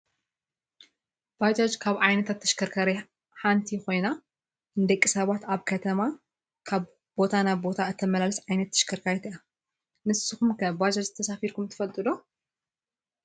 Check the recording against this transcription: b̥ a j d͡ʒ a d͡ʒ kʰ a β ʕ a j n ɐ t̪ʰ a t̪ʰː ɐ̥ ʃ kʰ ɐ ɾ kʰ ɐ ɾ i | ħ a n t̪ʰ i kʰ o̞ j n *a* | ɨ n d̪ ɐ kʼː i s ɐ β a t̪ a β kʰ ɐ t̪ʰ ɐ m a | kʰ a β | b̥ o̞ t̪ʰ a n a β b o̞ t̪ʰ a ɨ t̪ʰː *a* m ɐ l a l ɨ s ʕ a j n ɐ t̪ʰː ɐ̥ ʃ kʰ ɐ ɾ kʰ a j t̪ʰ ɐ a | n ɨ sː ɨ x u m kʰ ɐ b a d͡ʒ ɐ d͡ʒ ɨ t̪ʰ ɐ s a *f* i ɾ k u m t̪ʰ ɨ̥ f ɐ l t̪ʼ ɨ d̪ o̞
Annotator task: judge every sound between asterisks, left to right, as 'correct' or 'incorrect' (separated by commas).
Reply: correct, incorrect, correct